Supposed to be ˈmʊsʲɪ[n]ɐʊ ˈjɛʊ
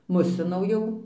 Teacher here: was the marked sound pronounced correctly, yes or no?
yes